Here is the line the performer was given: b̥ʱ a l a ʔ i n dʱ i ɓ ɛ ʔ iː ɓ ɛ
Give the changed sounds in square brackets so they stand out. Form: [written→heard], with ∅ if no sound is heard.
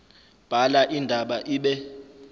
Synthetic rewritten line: b̥ʱ a l a ʔ i n dʱ [i→a] ɓ [ɛ→a] ʔ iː ɓ ɛ